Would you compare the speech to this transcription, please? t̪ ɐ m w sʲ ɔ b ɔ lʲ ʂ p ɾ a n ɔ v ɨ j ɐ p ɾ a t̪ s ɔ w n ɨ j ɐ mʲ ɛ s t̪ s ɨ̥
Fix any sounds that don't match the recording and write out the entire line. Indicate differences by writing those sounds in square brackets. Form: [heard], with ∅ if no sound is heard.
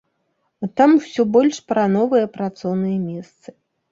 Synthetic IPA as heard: t̪ [a] m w sʲ ɔ b ɔ lʲ ʂ p ɾ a n ɔ v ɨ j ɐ p ɾ a t̪ s ɔ w n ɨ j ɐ mʲ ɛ s t̪ s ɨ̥